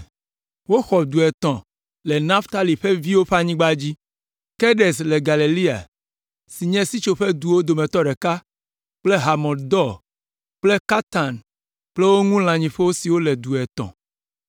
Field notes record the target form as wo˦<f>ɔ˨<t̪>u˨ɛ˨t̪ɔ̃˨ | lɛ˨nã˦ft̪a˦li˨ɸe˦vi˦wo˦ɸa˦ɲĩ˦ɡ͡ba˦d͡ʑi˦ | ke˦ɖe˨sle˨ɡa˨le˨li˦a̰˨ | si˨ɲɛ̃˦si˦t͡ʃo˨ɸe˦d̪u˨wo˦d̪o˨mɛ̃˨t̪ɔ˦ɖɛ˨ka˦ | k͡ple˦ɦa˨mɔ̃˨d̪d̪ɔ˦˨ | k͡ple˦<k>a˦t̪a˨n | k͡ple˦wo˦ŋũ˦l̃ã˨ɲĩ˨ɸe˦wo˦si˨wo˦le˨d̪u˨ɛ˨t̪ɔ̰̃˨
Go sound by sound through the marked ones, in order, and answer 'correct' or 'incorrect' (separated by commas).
incorrect, incorrect, correct